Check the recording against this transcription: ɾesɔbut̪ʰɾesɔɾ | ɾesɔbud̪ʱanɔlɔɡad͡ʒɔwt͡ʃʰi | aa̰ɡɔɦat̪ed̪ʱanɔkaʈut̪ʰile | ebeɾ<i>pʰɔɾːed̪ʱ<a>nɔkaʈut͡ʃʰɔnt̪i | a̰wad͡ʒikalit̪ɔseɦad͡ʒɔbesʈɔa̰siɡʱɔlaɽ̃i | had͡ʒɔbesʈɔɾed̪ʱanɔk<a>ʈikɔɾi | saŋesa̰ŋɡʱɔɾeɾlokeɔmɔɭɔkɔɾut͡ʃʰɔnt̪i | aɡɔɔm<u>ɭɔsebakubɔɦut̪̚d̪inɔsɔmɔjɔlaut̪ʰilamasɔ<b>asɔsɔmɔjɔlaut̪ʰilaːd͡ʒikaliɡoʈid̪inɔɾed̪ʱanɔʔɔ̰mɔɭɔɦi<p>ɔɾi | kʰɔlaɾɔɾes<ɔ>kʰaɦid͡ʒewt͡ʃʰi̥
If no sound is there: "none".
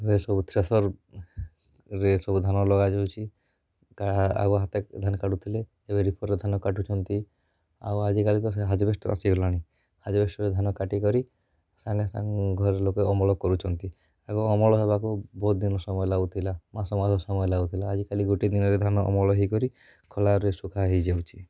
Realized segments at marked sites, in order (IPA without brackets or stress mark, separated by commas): i, a, a, ɔ, m, k, u